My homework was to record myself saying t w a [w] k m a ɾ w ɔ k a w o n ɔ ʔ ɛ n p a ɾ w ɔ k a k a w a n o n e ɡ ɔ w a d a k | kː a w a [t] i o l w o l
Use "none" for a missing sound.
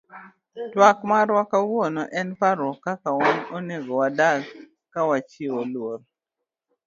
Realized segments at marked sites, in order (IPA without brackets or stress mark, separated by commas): none, t͡ʃ